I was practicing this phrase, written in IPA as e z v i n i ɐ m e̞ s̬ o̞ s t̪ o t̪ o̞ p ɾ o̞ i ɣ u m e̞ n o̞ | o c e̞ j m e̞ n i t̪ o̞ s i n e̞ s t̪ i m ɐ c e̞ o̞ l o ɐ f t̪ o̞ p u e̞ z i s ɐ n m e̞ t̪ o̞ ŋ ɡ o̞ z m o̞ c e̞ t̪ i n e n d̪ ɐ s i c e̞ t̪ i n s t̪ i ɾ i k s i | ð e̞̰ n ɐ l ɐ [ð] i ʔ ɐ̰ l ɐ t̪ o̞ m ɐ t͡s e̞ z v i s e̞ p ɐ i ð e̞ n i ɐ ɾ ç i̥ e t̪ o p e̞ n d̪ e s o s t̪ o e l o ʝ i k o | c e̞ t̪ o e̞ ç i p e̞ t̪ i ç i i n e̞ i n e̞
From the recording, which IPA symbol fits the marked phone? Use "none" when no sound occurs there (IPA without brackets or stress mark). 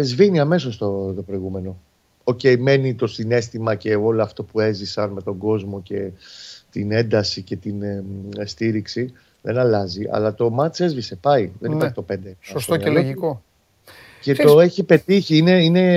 z